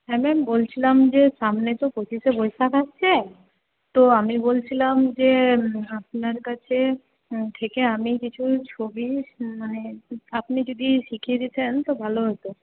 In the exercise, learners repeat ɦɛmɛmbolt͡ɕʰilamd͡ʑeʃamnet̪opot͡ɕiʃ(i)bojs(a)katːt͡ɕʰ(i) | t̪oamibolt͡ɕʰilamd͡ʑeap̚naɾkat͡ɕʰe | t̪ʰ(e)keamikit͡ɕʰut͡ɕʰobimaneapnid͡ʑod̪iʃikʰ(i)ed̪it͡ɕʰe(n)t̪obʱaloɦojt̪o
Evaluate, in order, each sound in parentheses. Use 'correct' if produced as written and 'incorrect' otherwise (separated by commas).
incorrect, correct, incorrect, correct, correct, correct